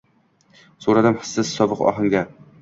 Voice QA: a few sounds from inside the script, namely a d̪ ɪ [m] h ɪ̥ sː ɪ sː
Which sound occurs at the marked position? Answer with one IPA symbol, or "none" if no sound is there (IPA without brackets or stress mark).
m